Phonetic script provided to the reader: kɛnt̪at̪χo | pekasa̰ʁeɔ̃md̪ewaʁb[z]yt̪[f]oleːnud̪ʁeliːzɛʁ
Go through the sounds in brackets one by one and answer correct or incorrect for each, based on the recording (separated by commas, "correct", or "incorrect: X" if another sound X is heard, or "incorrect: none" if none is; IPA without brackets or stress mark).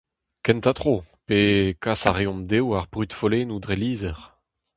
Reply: incorrect: ʁ, correct